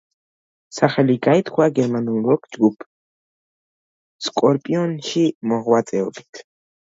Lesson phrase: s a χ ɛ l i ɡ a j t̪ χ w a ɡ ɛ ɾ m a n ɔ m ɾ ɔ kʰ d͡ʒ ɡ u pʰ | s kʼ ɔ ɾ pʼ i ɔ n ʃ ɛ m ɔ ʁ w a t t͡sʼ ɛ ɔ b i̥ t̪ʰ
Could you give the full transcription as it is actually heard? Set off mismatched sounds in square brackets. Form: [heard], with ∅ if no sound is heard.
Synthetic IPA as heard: s a χ ɛ l i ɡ a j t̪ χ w a ɡ ɛ ɾ m a n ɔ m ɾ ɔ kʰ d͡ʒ ɡ u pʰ | s kʼ ɔ ɾ pʼ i ɔ n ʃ [i] m ɔ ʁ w a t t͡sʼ ɛ ɔ b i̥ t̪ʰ